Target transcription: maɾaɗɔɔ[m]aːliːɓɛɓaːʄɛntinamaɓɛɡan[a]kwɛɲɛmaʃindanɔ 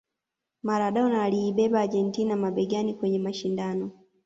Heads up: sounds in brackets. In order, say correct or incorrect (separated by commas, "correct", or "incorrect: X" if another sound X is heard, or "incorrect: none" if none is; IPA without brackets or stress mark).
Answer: incorrect: n, incorrect: i